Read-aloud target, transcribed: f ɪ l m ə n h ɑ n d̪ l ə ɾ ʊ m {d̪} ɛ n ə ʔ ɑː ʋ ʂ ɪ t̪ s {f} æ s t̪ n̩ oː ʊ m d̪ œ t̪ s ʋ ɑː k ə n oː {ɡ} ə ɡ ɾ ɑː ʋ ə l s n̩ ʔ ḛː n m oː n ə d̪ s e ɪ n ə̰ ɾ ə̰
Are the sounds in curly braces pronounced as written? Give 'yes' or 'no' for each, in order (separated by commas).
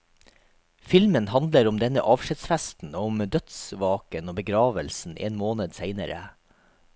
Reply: yes, yes, no